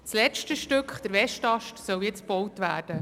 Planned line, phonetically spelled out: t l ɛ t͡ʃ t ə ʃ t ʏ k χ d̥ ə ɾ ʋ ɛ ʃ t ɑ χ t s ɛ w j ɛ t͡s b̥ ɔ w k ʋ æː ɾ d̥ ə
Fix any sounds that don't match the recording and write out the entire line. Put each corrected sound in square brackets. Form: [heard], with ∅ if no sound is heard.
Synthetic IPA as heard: [s] l ɛ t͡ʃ t ə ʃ t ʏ k χ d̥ ə ɾ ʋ ɛ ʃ t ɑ [ʃ] t s [œ] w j ɛ t͡s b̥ ɔ w [t] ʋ æː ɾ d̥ ə